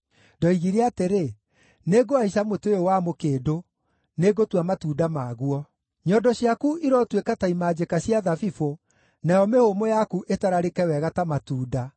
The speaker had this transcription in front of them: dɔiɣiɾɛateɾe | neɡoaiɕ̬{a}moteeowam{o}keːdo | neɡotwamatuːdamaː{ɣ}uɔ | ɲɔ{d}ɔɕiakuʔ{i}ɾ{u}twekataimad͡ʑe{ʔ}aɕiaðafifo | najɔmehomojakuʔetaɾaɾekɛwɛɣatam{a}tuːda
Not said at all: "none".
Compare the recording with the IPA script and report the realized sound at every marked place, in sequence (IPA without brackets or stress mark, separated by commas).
a, o, ɣ, d, i, ɔ, k, a